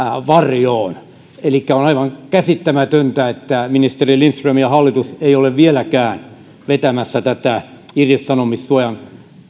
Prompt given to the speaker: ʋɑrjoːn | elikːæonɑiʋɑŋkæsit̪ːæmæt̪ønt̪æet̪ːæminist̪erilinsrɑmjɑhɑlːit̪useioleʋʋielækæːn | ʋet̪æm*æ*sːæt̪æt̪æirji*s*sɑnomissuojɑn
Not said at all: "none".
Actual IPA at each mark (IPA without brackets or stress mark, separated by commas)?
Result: æ, s